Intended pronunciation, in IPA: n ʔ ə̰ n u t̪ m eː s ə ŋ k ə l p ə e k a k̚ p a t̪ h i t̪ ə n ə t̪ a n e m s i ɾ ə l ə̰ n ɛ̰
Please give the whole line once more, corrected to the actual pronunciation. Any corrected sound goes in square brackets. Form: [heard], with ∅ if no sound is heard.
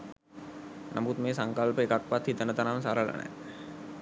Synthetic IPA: n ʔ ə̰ [m] u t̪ m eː s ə ŋ k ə l p ə e k a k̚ p a t̪ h i t̪ ə n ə t̪ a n [a] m s [a] ɾ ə l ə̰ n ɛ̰